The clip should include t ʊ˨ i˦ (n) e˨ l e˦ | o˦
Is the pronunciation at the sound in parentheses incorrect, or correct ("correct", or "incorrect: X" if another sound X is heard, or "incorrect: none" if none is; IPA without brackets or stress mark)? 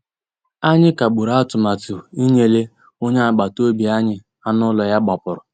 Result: incorrect: ɲ